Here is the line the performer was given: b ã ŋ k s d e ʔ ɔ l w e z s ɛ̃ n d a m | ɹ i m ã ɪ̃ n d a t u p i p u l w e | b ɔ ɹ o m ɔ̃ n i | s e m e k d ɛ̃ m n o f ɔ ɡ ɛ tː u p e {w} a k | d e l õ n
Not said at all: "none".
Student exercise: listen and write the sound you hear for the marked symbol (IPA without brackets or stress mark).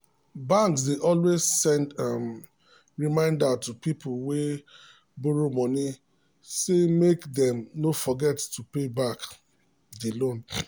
b